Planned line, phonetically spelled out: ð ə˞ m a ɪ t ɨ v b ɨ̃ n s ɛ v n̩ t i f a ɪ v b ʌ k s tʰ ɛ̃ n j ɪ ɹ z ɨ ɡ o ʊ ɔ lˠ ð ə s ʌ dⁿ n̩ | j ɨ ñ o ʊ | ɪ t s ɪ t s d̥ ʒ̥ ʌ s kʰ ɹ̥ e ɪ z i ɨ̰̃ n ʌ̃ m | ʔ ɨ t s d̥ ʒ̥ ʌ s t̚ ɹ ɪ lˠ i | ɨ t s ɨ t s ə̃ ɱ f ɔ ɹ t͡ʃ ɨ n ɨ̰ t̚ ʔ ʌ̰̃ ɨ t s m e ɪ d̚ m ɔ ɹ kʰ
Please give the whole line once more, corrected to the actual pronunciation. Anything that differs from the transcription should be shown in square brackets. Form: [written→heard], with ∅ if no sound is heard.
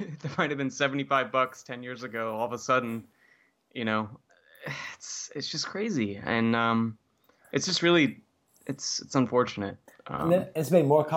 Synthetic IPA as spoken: ð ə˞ m a ɪ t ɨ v b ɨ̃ n s ɛ v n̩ t i f a ɪ v b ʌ k s tʰ ɛ̃ n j ɪ ɹ z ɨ ɡ o ʊ ɔ lˠ ð ə s ʌ dⁿ n̩ | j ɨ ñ o ʊ | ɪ t s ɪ t s d̥ ʒ̥ ʌ s kʰ ɹ̥ e ɪ z i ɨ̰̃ n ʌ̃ m | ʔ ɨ t s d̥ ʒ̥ ʌ s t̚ ɹ ɪ lˠ i | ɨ t s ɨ t s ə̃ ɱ f ɔ ɹ t͡ʃ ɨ n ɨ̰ t̚ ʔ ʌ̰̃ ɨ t s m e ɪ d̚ m ɔ ɹ kʰ